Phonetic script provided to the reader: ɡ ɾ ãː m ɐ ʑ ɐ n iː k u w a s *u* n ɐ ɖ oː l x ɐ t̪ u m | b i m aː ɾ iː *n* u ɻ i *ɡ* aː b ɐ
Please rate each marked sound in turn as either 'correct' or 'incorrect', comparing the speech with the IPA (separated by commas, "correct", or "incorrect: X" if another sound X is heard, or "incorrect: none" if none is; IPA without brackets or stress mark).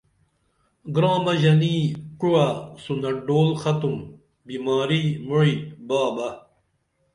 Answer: correct, incorrect: m, incorrect: b